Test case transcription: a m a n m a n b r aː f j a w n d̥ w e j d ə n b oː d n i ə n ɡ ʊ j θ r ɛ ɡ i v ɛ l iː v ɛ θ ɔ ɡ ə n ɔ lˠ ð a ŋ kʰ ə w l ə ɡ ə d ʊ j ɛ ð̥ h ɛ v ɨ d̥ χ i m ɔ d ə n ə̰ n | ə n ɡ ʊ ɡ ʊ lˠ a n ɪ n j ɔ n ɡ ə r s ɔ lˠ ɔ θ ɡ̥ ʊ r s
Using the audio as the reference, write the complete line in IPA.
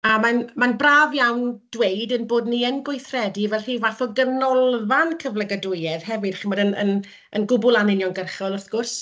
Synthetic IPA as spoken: a m a n m a n b r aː v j a w n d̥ w e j d ə n b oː d n i ə n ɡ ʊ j θ r ɛ d i v ɛ l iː v a θ ɔ ɡ ə n ɔ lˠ v a n kʰ ə v l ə ɡ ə d ʊ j ɛ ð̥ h ɛ v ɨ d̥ χ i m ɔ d ə n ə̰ n | ə n ɡ ʊ b ʊ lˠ a n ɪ n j ɔ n ɡ ə r χ ɔ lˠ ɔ θ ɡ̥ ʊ r s